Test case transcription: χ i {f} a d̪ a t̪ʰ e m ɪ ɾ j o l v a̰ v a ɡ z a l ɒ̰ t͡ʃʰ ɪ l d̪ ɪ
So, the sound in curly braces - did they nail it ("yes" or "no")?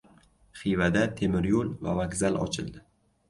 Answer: no